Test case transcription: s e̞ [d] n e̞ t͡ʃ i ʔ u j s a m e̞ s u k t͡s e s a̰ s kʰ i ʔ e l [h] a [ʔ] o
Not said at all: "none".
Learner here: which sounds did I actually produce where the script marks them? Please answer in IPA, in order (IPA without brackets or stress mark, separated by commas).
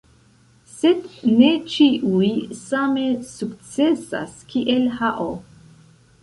d, h, ʔ